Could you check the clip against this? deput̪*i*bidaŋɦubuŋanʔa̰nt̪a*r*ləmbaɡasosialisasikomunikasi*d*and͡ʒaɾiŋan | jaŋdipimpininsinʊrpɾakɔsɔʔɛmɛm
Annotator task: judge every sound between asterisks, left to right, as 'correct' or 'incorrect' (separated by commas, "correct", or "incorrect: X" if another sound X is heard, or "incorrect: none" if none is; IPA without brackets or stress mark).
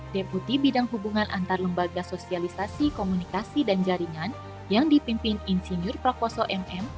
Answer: correct, correct, correct